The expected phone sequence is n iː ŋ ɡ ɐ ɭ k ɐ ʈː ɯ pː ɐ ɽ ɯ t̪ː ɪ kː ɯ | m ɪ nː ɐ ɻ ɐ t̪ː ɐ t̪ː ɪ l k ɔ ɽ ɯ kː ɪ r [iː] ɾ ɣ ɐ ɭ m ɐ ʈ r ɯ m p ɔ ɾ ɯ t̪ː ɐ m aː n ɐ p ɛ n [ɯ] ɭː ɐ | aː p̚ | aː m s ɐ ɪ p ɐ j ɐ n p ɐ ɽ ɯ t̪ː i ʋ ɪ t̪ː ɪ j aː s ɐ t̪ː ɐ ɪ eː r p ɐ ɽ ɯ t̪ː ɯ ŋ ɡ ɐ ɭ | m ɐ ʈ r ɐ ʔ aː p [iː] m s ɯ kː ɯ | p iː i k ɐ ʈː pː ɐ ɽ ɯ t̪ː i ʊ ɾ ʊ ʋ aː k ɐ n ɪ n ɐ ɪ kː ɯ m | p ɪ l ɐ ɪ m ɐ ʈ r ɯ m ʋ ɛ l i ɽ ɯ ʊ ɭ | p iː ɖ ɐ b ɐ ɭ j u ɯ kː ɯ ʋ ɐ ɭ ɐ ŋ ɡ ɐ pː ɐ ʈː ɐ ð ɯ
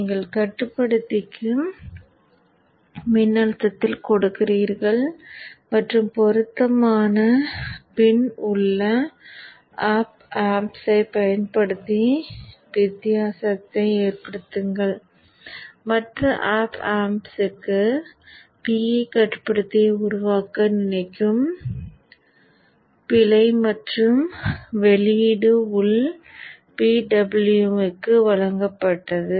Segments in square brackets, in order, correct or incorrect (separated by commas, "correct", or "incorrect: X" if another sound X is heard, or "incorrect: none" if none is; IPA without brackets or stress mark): correct, incorrect: ʊ, incorrect: aː